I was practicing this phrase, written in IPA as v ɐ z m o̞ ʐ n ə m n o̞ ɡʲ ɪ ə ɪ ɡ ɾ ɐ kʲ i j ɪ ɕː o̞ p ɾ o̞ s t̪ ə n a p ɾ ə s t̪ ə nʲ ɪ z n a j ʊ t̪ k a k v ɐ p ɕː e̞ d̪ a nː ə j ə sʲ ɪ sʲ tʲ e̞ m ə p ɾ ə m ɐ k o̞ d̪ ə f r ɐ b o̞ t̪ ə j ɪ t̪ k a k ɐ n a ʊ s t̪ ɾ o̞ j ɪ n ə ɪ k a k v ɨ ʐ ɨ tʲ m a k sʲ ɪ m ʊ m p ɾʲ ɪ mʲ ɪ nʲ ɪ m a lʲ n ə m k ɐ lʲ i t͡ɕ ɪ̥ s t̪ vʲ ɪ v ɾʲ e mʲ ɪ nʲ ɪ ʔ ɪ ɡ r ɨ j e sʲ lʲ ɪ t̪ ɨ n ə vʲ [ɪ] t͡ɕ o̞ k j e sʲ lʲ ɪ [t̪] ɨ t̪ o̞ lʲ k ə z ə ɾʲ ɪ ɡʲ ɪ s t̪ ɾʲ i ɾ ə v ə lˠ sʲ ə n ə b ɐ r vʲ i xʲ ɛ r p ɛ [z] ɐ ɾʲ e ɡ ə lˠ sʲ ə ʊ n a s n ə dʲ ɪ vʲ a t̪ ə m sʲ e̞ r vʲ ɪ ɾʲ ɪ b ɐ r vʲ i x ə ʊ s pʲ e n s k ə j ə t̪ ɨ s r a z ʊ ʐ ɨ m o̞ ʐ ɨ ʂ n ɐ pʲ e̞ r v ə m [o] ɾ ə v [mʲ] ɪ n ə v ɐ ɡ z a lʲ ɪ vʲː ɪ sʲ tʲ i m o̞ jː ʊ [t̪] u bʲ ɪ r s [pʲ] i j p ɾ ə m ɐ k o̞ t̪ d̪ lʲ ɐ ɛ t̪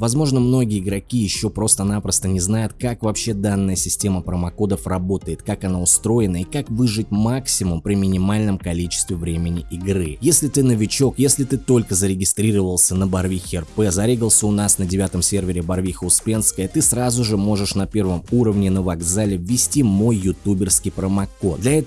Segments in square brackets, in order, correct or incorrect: correct, correct, correct, incorrect: u, incorrect: nʲ, correct, incorrect: kʲ

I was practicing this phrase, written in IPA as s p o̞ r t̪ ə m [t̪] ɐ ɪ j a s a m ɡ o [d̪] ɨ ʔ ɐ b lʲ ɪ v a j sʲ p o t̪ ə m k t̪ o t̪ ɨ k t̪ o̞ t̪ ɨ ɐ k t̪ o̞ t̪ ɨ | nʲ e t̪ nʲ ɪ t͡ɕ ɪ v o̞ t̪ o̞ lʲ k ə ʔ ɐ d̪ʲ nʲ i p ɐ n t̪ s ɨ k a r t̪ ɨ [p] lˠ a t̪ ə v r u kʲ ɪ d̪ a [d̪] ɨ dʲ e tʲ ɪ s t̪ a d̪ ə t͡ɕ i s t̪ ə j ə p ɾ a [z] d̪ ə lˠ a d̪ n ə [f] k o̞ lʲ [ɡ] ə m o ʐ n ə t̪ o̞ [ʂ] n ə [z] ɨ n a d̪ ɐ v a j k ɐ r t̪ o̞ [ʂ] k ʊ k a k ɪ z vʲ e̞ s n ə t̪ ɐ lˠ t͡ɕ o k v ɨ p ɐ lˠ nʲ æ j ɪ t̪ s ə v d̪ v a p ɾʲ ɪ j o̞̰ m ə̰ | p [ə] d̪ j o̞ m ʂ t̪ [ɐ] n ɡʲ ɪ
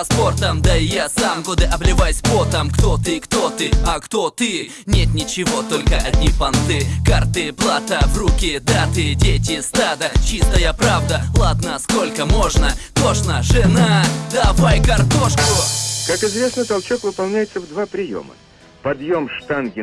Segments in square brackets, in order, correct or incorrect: incorrect: d̪, correct, correct, incorrect: t̪, incorrect: v, incorrect: s, incorrect: k, correct, incorrect: ʐ, correct, incorrect: ɐ, incorrect: a

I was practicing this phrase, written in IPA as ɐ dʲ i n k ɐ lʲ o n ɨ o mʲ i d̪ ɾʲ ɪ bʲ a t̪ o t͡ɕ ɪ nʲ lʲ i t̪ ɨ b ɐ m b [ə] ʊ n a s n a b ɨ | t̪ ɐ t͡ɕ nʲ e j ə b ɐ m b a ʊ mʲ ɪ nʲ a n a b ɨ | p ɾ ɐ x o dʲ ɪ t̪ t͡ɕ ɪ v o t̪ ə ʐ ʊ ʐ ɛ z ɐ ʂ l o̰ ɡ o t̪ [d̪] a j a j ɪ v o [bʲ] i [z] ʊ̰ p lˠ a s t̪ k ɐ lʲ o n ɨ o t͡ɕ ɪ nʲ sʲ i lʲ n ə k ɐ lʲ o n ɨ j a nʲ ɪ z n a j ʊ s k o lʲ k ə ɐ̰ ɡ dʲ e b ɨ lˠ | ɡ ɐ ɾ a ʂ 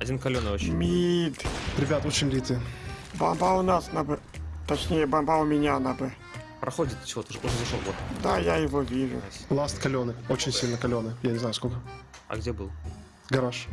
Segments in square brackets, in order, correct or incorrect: incorrect: a, correct, incorrect: vʲ, incorrect: ʐ

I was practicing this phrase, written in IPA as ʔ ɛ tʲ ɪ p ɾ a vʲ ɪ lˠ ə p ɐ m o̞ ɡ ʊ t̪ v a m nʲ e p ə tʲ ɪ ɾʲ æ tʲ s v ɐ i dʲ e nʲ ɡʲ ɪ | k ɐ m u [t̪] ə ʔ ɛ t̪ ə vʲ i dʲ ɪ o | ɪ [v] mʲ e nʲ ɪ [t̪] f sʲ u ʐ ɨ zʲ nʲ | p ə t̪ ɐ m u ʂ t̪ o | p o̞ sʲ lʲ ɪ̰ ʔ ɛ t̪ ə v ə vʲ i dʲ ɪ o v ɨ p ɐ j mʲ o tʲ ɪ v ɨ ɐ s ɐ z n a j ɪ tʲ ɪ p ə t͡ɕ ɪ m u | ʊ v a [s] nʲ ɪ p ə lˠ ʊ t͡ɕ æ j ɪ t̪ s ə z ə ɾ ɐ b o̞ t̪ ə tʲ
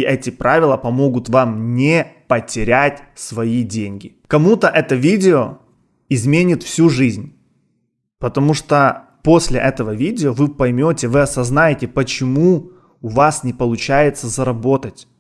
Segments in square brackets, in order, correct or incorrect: correct, incorrect: z, correct, correct

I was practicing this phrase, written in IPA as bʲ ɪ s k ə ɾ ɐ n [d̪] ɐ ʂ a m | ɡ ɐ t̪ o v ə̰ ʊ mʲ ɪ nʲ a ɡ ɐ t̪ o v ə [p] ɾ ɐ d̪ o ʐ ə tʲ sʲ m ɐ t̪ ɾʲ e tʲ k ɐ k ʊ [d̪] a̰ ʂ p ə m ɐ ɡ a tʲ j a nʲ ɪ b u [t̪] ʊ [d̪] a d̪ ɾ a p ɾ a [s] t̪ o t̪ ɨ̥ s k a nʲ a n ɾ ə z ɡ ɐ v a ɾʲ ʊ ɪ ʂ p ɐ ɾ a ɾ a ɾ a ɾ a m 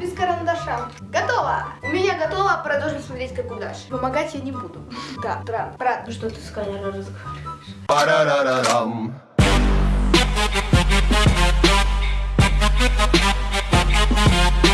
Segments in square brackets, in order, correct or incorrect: correct, correct, correct, incorrect: d̪, correct, incorrect: ʂ

